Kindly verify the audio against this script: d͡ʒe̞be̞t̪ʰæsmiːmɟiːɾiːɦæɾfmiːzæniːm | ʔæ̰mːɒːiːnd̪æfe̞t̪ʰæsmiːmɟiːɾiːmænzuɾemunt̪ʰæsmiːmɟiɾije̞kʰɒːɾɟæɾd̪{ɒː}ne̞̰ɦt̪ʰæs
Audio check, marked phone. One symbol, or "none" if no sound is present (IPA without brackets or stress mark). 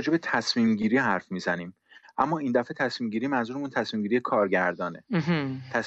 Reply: ɒː